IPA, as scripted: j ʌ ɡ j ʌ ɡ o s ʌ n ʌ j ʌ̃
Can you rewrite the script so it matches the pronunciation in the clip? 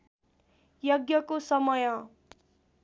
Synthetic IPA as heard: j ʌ ɡ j ʌ k o s ʌ m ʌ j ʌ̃